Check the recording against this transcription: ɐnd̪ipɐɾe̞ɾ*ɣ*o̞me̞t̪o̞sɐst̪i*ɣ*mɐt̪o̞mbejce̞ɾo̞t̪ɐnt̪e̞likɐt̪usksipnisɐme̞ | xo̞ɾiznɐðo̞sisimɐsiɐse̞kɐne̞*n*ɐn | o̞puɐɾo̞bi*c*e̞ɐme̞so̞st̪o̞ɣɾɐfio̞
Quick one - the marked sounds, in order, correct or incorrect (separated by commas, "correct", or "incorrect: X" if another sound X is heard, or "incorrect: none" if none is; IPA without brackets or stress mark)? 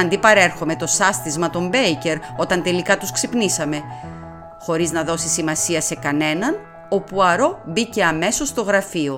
incorrect: x, incorrect: z, correct, correct